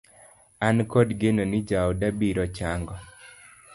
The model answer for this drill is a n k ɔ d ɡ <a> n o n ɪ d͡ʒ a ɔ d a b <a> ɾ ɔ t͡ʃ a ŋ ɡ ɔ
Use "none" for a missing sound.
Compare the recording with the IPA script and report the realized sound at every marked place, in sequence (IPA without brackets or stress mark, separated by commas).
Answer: e, i